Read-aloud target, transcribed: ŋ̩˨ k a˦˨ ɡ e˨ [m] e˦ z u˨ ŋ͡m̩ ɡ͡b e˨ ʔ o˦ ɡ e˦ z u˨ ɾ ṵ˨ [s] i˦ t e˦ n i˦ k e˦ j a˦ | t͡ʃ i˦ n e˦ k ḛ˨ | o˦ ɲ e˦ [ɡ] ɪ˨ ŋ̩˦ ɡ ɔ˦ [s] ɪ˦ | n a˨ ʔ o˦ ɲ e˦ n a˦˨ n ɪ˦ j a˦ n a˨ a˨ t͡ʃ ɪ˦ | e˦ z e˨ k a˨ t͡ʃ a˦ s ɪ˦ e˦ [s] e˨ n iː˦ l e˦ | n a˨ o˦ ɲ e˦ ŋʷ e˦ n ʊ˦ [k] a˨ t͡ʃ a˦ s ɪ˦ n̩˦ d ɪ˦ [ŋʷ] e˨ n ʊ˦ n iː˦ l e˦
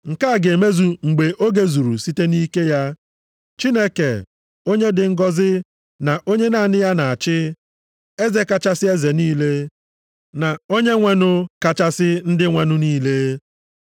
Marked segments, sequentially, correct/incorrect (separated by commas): correct, correct, incorrect, incorrect, incorrect, correct, correct